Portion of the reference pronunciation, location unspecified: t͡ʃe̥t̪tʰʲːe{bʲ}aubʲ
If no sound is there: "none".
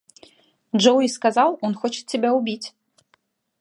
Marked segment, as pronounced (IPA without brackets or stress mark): bʲ